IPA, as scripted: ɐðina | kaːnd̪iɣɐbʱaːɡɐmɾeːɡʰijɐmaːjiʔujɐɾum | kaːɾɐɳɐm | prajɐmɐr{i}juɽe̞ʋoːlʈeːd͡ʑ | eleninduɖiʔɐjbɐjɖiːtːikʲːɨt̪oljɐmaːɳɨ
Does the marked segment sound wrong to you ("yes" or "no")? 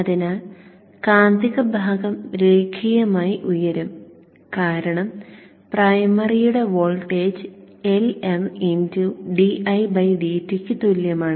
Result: no